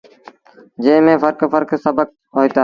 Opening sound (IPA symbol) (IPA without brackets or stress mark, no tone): d͡ʒ